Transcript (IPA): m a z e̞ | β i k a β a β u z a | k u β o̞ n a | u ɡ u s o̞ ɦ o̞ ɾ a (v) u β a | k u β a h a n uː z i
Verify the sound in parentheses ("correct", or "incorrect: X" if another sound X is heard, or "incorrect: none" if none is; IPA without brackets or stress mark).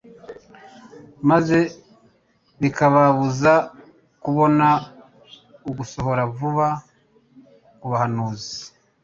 correct